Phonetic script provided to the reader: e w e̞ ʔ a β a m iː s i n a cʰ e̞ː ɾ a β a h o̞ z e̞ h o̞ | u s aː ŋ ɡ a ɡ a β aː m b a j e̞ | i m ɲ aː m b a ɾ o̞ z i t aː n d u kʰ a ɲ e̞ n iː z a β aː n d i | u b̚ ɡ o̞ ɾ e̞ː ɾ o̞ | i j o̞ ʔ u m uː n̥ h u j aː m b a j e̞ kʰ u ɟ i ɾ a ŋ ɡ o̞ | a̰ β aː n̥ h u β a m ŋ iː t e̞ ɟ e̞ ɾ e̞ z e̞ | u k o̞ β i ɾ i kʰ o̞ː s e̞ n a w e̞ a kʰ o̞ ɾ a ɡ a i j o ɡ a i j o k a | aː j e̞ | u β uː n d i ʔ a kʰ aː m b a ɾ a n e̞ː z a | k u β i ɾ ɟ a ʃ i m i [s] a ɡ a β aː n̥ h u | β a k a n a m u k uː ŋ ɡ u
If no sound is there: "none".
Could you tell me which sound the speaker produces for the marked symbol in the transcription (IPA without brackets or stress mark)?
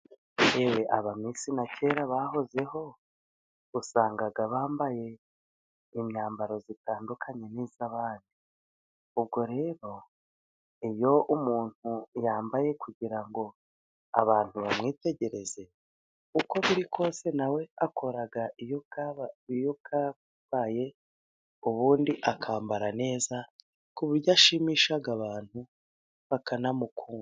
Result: ʃ